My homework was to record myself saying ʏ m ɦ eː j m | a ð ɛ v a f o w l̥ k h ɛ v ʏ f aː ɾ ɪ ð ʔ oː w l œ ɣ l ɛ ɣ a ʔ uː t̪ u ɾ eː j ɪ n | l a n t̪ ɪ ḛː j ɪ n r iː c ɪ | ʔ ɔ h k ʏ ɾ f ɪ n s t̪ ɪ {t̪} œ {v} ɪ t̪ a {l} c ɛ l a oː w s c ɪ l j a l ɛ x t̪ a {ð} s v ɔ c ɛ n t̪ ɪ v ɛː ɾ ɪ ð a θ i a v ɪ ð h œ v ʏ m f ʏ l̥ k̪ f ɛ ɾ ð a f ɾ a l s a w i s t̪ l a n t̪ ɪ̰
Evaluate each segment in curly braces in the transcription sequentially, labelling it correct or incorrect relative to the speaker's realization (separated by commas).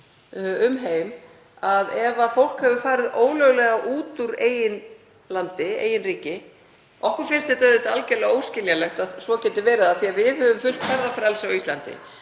correct, incorrect, correct, correct